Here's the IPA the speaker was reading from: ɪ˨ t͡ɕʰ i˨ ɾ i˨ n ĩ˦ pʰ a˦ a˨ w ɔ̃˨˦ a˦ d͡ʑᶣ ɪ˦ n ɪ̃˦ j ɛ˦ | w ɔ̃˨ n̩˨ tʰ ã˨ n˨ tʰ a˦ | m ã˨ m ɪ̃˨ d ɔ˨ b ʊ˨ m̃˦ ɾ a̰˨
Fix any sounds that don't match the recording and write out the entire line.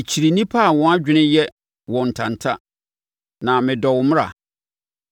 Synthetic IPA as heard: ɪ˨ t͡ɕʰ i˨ ɾ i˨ n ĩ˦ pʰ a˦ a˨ w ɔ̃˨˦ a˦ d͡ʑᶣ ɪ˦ n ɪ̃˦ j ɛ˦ | w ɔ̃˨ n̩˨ tʰ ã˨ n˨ tʰ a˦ | n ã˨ m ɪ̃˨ d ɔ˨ w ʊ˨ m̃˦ ɾ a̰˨